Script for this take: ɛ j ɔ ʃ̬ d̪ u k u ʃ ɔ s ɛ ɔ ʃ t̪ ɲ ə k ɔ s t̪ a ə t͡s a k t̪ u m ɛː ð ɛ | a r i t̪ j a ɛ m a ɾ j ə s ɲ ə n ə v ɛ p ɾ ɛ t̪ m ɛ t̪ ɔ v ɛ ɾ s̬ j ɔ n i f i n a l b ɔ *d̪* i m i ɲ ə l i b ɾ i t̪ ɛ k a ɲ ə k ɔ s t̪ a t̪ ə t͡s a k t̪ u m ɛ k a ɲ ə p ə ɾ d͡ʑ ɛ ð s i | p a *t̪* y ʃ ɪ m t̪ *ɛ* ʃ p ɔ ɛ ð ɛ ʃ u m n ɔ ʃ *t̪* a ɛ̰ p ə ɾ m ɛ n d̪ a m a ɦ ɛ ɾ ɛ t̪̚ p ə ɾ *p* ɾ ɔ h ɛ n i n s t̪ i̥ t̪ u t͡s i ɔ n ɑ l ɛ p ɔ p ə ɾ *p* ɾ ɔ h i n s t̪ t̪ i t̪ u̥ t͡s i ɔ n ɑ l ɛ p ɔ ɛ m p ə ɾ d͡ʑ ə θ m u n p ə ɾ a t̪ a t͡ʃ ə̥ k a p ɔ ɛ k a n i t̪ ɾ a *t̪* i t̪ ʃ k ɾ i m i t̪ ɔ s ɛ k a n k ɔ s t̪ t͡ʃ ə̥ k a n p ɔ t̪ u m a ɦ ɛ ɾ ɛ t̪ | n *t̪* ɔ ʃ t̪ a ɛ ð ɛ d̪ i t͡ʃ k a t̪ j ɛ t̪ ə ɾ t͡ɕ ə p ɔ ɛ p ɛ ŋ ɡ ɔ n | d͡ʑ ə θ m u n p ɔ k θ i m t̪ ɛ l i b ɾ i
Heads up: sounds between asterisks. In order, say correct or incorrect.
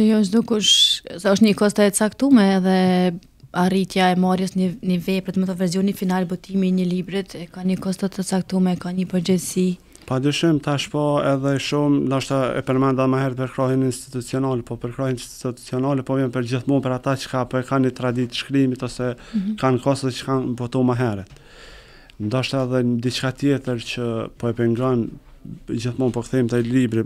incorrect: t̪, incorrect: d̪, incorrect: a, correct, incorrect: k, incorrect: k, incorrect: d̪, incorrect: d̪

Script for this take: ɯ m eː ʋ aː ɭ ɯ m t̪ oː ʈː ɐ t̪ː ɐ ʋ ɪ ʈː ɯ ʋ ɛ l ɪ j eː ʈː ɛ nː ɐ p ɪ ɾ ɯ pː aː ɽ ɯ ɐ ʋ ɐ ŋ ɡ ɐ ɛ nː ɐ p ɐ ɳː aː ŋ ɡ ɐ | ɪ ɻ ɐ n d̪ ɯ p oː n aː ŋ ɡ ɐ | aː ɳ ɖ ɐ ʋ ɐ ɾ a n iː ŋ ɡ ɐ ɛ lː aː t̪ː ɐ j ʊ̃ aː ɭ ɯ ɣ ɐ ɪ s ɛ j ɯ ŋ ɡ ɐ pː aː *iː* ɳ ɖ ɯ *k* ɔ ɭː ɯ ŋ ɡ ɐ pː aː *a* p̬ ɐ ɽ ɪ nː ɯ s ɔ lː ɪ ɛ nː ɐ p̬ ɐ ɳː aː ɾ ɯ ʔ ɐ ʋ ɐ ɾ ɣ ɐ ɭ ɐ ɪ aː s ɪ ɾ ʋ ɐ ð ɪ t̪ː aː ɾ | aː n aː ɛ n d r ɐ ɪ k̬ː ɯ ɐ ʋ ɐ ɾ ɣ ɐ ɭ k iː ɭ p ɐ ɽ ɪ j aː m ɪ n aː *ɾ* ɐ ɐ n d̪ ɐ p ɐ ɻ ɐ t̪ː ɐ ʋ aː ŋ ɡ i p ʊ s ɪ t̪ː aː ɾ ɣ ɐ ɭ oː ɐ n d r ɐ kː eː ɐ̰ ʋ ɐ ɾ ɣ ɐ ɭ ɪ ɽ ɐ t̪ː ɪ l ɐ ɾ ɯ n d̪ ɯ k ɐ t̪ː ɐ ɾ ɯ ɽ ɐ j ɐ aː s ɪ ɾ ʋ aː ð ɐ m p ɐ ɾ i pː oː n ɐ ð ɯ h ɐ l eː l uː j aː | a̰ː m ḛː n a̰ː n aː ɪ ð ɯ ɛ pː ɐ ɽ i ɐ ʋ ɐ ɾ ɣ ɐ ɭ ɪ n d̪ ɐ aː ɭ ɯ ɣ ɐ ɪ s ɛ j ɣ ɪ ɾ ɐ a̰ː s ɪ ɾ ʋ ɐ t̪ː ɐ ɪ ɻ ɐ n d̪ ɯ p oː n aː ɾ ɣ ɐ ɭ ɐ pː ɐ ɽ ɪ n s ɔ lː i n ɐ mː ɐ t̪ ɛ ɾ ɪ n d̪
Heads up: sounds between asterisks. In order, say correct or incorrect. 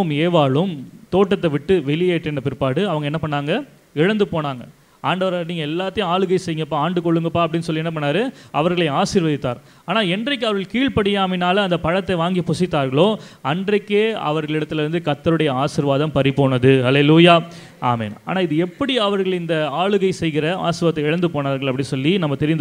incorrect: aː, correct, incorrect: ɐ, incorrect: l

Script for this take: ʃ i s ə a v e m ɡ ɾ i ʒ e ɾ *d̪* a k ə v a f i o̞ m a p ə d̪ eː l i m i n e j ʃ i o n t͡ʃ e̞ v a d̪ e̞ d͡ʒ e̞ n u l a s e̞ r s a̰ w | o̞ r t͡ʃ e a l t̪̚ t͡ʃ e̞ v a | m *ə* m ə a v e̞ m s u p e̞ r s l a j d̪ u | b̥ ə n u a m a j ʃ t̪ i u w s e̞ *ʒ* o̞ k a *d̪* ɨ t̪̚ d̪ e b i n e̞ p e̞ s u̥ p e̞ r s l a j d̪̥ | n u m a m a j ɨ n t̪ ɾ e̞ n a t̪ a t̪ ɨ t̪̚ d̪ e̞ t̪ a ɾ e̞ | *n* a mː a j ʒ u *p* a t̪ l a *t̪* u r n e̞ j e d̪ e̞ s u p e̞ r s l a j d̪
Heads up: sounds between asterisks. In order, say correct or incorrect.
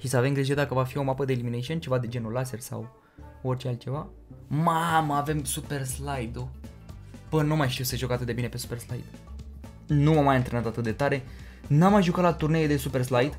correct, incorrect: a, correct, incorrect: t̪, correct, incorrect: k, correct

